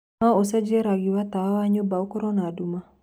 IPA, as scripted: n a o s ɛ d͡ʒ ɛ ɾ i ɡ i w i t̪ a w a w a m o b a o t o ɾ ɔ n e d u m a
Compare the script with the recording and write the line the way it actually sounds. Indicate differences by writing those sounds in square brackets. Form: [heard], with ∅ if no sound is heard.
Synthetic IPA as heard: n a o s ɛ d͡ʒ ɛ ɾ [a] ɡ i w [a] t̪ a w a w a [ɲ] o b a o [k] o ɾ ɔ n [a] d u m a